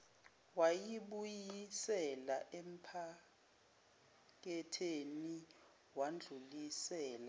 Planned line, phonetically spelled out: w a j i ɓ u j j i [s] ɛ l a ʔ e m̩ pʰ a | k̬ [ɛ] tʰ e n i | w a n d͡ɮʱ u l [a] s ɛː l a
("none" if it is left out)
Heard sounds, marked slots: s, ɛ, i

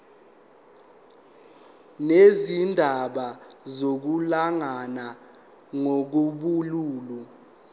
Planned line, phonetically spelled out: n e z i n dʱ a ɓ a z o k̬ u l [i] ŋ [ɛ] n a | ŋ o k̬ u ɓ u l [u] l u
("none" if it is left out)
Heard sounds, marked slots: a, a, uː

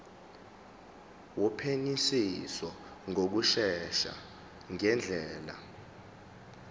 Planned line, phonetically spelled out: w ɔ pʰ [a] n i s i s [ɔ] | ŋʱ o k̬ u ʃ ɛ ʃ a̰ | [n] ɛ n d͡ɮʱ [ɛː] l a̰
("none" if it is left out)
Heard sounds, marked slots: e, ɔ, ŋ, ɛː

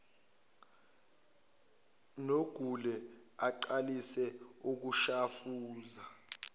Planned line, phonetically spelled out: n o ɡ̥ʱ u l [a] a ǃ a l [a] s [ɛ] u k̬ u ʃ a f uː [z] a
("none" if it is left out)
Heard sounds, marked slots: ɛ, i, ɛ, z

